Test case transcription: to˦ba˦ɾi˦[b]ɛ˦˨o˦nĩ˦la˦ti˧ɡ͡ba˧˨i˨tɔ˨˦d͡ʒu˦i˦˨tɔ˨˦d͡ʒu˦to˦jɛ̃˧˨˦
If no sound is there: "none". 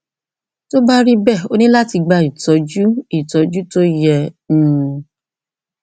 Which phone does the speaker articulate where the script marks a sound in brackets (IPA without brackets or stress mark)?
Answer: b